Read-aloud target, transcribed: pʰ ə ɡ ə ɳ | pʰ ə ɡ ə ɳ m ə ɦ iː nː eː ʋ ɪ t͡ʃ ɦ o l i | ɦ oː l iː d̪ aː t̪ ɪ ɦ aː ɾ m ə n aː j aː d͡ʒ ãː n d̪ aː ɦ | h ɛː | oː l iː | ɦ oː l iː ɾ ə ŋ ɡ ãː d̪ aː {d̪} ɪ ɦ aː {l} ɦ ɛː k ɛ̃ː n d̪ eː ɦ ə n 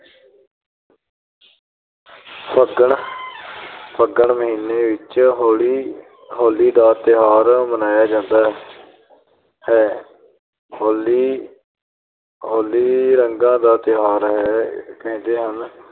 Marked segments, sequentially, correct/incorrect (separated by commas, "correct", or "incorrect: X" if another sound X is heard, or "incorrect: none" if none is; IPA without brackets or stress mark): incorrect: t̪, incorrect: ɾ